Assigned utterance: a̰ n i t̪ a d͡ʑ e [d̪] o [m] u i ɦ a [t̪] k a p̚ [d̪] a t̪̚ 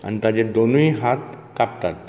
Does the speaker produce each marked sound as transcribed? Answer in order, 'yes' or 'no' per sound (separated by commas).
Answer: yes, no, yes, no